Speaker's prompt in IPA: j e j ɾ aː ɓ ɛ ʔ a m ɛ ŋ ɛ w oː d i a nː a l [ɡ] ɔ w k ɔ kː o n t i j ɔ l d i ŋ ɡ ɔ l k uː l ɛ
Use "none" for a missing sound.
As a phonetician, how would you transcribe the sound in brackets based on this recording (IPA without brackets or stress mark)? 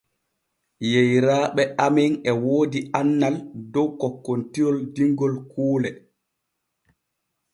d